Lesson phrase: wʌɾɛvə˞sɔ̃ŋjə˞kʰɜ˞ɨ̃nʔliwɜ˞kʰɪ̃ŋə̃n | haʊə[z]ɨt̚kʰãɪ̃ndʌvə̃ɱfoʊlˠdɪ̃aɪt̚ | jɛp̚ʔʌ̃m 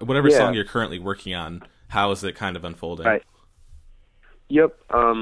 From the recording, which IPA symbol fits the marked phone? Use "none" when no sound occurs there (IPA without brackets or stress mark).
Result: z